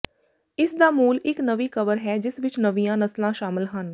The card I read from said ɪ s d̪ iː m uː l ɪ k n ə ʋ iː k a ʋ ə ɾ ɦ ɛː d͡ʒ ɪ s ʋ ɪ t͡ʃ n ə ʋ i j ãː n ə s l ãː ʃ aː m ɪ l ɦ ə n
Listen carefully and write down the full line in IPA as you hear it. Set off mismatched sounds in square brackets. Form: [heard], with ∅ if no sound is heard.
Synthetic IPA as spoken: ɪ s d̪ [aː] m uː l ɪ k n ə ʋ iː k [ə] ʋ ə ɾ ɦ ɛː d͡ʒ ɪ s ʋ ɪ t͡ʃ n ə ʋ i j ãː n ə s l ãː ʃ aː m ɪ l ɦ ə n